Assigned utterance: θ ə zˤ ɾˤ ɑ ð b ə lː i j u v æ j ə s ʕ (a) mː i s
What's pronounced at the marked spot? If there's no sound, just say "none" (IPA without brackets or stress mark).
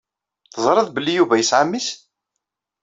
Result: a